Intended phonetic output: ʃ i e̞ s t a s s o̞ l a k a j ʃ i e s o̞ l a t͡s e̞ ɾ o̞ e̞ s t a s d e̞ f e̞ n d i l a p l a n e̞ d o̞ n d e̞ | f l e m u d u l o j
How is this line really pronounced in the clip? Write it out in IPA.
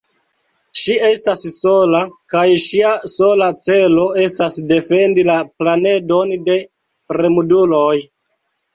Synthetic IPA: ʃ i e̞ s t a s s o̞ l a k a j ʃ i a s o̞ l a t͡s e̞ l o̞ e̞ s t a s d e̞ f e̞ n d i l a p l a n e̞ d o̞ n d e̞ | f ɾ e m u d u l o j